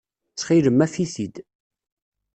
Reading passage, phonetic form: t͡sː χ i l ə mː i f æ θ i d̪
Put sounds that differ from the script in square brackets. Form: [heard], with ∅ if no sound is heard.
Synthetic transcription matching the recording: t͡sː χ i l ə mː [æ] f [i] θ i d̪